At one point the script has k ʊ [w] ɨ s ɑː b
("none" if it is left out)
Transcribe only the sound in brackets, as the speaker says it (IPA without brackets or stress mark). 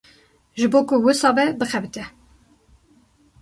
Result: w